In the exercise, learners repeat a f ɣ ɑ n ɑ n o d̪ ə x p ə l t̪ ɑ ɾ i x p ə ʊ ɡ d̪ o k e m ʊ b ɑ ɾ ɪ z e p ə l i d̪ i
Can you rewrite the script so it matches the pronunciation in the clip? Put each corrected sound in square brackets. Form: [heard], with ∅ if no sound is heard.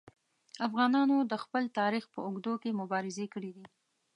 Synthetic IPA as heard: a f ɣ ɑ n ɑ n o d̪ ə x p ə l t̪ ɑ ɾ i x p ə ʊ ɡ d̪ o k e m ʊ b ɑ ɾ ɪ z e [k] ə [ɽ] i d̪ i

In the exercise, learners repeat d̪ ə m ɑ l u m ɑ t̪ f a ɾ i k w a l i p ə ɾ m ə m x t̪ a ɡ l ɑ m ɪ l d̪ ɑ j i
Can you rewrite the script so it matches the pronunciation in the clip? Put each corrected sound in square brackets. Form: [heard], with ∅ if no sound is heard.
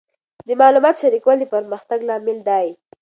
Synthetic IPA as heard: d̪ ə m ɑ l u m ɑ t̪ [ʃ] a ɾ i k w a l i p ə ɾ m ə [∅] x t̪ a ɡ l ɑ m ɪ l d̪ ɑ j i

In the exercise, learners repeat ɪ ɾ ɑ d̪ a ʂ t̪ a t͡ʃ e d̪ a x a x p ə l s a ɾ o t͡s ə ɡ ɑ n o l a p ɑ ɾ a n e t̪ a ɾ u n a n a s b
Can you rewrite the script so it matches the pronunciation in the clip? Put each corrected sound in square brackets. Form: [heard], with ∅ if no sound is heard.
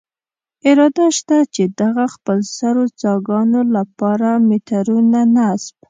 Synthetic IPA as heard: ɪ ɾ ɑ d̪ a [ʃ] t̪ a t͡ʃ e d̪ a [ɣ] a x p ə l s a ɾ o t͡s [ɑ] ɡ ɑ n o l a p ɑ ɾ a [m] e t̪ a ɾ u n a n a s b

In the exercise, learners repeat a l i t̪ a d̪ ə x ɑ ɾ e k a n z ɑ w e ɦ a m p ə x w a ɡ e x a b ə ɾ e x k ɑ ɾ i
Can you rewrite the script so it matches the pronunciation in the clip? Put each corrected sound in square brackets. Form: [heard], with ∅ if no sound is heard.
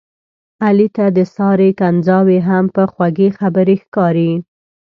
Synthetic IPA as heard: a l i t̪ a d̪ ə [s] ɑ ɾ e k a n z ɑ w e ɦ a m p ə x w a ɡ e x a b ə ɾ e x k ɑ ɾ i

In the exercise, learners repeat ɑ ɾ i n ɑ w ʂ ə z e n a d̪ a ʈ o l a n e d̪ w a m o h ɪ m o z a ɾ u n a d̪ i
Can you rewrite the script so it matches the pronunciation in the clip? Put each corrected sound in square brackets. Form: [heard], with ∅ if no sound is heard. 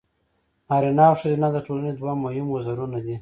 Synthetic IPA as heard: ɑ ɾ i n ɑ w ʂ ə z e n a d̪ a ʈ o l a n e d̪ w a m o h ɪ m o z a ɾ u n a d̪ i

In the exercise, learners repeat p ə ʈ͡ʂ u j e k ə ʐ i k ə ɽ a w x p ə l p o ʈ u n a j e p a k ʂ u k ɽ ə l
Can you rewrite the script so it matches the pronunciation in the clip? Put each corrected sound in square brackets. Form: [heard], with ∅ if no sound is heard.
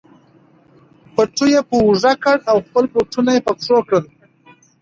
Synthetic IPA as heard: p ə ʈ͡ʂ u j e [p] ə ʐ [a] k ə ɽ a w x p ə l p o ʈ u n a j e p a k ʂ [o] k ɽ ə l

